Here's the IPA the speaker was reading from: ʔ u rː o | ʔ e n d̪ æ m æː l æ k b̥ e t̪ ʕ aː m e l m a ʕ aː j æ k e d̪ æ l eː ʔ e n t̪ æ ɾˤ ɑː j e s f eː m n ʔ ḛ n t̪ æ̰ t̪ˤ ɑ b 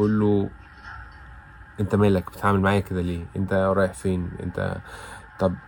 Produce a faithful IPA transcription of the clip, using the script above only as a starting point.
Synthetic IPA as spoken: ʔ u lː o | ʔ e n t̪ æ m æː l æ k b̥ e t̪ ʕ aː m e l m a ʕ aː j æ k e d̪ æ l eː ʔ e n t̪ æ ɾˤ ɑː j e ħ f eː n ʔ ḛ n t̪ æ̰ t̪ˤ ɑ b